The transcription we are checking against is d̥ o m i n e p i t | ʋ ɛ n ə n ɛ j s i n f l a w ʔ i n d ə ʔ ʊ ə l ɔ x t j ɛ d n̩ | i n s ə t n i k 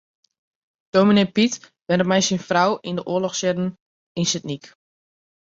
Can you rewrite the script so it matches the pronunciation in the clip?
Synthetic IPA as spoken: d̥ o m i n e p i t | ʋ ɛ n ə m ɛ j s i n f r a w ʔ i n d ə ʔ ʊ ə l ɔ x s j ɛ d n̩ | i n s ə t n i k